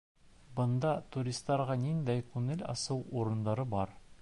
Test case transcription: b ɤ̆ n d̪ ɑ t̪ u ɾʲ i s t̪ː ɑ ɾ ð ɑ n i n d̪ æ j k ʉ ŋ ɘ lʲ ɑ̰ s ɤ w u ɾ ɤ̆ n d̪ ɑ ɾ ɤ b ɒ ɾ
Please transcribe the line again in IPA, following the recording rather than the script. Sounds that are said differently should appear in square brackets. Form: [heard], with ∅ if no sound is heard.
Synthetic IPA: b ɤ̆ n d̪ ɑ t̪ u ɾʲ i s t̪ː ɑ ɾ [ʁ] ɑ n i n d̪ æ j k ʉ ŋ ɘ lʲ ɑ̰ s ɤ w u ɾ ɤ̆ n d̪ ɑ ɾ ɤ b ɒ ɾ